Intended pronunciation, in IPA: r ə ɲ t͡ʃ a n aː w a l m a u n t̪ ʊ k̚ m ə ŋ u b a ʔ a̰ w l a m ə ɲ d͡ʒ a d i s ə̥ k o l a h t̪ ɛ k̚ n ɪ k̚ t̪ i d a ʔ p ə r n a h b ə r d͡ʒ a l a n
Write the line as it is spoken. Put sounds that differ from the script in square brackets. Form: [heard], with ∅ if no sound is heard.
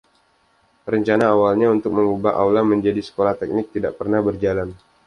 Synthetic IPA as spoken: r ə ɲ t͡ʃ a n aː w a l [ɲ] a u n t̪ ʊ k̚ m ə ŋ u b a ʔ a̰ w l a m ə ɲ d͡ʒ a d i s ə̥ k o l a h t̪ ɛ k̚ n ɪ k̚ t̪ i d a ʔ p ə r n a h b ə r d͡ʒ a l a n